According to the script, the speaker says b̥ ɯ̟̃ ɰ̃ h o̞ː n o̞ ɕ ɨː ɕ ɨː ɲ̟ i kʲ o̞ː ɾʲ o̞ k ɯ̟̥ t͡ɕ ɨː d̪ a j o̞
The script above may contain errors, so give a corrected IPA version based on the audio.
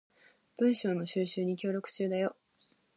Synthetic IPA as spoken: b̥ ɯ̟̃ ɰ̃ ɕ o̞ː n o̞ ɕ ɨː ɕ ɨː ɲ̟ i kʲ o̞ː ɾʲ o̞ k ɯ̟̥ t͡ɕ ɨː d̪ a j o̞